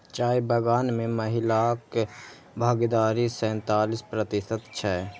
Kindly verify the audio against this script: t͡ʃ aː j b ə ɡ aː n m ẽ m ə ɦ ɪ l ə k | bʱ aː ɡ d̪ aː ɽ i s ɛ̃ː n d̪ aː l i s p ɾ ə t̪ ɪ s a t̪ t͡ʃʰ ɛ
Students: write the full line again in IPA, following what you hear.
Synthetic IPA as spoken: t͡ʃ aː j b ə ɡ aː n m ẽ m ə ɦ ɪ l a k | bʱ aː ɡ d̪ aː ɾ i s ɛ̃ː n t̪ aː l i s p ɾ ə t̪ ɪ s ə t̪ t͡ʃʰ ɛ